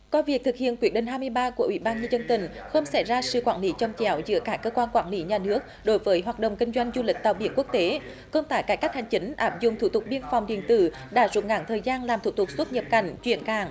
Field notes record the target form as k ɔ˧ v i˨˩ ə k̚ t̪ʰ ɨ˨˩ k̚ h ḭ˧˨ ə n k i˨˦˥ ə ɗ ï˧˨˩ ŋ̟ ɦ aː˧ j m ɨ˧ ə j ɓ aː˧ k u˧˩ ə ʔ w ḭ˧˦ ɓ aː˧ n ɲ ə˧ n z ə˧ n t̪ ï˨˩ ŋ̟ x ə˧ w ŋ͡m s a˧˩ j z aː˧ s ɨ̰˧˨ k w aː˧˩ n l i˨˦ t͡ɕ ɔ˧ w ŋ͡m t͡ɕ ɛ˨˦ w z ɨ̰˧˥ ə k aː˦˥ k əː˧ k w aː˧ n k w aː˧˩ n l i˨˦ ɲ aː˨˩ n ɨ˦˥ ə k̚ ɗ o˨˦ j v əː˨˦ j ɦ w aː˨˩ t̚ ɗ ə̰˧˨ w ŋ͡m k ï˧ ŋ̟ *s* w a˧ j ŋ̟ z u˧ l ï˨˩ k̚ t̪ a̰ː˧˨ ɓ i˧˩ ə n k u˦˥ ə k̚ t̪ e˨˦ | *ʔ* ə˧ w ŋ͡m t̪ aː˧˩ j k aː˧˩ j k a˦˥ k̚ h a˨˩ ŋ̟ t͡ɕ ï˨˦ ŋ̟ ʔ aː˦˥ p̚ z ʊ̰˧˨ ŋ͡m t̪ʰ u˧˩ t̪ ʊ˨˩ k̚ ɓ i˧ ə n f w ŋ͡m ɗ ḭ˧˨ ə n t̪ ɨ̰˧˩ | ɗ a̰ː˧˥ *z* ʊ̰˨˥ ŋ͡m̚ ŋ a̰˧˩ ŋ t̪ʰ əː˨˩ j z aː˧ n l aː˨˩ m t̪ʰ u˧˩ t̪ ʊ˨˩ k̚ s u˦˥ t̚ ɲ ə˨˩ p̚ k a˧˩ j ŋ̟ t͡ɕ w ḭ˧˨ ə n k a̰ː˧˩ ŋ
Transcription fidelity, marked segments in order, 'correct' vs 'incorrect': incorrect: z, incorrect: k, correct

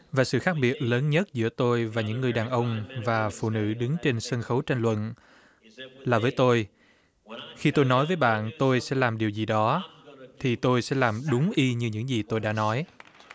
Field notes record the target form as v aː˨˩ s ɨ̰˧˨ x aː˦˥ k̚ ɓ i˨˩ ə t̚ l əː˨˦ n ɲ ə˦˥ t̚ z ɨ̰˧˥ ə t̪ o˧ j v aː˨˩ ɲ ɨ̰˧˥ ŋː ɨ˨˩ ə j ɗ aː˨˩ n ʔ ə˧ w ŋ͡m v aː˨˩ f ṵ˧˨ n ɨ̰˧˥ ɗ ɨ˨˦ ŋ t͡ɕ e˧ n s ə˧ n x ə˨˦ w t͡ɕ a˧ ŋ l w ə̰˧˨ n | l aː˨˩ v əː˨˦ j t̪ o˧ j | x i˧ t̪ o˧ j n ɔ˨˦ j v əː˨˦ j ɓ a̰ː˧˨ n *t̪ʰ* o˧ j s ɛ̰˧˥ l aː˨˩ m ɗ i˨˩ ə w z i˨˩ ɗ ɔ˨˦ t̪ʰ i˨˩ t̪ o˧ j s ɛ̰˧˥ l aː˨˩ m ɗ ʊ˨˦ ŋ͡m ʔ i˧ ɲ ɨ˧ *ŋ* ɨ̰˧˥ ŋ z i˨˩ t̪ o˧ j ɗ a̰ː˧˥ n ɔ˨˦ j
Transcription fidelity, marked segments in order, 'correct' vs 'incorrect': incorrect: t̪, incorrect: ɲ

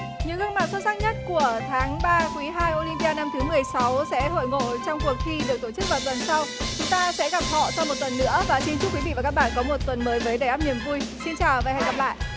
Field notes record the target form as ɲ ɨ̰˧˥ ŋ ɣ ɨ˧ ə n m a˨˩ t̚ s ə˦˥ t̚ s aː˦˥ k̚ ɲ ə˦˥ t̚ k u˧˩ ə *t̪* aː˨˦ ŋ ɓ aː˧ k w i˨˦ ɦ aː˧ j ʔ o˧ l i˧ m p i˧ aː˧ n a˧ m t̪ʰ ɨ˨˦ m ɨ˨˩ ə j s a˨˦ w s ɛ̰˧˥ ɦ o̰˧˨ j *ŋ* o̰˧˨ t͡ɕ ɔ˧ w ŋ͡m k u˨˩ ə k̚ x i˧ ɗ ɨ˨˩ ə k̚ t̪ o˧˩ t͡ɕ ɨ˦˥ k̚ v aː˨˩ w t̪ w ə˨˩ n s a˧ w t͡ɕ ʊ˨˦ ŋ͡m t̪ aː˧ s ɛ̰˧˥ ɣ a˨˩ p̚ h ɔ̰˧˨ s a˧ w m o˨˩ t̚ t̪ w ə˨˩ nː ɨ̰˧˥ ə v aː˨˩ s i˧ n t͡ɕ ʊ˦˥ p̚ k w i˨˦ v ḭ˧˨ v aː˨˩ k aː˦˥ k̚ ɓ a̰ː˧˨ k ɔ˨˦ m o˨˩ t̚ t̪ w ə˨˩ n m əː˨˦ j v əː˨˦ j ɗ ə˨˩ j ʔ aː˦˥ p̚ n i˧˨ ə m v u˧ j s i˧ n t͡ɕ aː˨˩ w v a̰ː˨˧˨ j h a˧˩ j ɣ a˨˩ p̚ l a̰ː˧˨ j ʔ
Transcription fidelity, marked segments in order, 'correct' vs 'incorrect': incorrect: t̪ʰ, correct

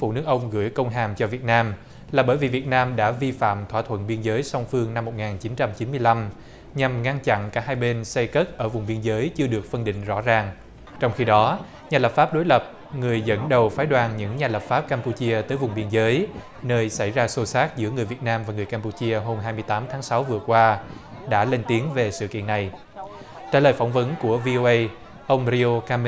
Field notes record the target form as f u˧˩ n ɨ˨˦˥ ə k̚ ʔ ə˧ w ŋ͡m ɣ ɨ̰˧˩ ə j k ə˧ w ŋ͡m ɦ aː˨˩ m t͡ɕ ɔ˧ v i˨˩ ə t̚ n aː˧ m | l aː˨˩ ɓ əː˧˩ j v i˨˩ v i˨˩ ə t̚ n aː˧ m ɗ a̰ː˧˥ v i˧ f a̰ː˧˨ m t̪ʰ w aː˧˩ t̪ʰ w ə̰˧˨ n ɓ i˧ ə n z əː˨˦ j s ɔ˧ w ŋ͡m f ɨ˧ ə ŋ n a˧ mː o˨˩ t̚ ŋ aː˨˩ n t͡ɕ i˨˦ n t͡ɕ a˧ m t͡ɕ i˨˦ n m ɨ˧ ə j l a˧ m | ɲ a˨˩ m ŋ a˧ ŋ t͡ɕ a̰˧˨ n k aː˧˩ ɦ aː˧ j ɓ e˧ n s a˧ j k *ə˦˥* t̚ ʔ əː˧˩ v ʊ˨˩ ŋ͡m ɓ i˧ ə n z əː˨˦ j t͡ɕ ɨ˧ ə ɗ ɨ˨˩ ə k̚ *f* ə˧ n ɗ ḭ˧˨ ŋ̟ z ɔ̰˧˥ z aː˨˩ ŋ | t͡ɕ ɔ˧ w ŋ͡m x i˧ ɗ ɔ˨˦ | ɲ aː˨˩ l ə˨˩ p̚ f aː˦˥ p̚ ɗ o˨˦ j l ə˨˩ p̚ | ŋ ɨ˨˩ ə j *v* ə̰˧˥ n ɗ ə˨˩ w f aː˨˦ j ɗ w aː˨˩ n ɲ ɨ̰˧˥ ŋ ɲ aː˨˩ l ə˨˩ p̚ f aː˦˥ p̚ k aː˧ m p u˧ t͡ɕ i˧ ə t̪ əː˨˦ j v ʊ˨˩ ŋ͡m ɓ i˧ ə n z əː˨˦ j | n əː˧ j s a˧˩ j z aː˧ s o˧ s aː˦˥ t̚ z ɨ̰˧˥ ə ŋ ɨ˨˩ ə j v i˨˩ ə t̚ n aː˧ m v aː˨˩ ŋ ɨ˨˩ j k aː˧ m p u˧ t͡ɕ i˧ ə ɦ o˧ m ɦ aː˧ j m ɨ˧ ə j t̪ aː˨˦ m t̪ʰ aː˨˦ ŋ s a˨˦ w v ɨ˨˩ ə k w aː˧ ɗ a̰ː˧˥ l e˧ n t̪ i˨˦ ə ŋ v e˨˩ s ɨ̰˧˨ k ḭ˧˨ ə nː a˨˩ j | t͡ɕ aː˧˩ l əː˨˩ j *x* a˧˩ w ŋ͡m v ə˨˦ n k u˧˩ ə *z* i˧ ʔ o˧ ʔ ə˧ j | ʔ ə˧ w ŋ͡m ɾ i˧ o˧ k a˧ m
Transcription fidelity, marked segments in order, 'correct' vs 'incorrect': correct, correct, incorrect: z, incorrect: f, incorrect: v

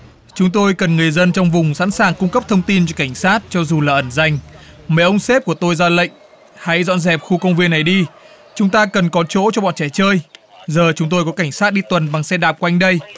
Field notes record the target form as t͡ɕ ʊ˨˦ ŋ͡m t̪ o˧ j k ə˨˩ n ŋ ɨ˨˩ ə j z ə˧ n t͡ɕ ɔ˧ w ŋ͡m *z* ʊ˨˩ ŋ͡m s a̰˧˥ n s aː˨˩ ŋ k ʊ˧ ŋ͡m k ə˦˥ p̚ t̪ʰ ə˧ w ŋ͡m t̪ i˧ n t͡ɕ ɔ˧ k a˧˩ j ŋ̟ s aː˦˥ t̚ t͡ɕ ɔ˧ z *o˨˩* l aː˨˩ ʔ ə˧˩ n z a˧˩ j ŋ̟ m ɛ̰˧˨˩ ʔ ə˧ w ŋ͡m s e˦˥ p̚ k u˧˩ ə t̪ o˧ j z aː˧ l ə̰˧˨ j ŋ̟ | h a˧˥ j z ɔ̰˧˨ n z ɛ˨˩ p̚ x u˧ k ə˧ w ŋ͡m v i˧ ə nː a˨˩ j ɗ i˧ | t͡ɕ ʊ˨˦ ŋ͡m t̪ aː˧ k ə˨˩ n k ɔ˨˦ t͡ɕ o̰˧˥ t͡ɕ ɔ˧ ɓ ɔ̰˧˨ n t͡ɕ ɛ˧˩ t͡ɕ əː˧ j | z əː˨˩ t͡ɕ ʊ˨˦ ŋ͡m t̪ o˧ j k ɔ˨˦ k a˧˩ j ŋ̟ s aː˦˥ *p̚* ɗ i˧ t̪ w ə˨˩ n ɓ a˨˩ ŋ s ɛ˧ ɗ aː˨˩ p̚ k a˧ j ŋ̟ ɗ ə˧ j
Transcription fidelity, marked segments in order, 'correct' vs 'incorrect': incorrect: v, incorrect: u˨˩, incorrect: t̚

